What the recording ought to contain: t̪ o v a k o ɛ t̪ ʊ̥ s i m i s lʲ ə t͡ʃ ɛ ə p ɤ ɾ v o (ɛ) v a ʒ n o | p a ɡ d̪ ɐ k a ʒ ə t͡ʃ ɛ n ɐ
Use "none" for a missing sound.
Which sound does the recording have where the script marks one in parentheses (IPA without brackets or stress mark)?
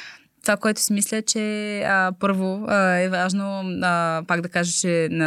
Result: ɛ